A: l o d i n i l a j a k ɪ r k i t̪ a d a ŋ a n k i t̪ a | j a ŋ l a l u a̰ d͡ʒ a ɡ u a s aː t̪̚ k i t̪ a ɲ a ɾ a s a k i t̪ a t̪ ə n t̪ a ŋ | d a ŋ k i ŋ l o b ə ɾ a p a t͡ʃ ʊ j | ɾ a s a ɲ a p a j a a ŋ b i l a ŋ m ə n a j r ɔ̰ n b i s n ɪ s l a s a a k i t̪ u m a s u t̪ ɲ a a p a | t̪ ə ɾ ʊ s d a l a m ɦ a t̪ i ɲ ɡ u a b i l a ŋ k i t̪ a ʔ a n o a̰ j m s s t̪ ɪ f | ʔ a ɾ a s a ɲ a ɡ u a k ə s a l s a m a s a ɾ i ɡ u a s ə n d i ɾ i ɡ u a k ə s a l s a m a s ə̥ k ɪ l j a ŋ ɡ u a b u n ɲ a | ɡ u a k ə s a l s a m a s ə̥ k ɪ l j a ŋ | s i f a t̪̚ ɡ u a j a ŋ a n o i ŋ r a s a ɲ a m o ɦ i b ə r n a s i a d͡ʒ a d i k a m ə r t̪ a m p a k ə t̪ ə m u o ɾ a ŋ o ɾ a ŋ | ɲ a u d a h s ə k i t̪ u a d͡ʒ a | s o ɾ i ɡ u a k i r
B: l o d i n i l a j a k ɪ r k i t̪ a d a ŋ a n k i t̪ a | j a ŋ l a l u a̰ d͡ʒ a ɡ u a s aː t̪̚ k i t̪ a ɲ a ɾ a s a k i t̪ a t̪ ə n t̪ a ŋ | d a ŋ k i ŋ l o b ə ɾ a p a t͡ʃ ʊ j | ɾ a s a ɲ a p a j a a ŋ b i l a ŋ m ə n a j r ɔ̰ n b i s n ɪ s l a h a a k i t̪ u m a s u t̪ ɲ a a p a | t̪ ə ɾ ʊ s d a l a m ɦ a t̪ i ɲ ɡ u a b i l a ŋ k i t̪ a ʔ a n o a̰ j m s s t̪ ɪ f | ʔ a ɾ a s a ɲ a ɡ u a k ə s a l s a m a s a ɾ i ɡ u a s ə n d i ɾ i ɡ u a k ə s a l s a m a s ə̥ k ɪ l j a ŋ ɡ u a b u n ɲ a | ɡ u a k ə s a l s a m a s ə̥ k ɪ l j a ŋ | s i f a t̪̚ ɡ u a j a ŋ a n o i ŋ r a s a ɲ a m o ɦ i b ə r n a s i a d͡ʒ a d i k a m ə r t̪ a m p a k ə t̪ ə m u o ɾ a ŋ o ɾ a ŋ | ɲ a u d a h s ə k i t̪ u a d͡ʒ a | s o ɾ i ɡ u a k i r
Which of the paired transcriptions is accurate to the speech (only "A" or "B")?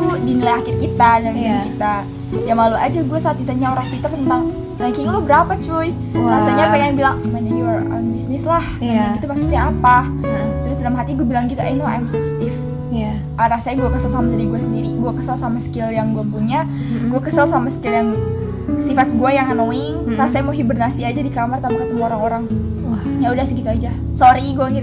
B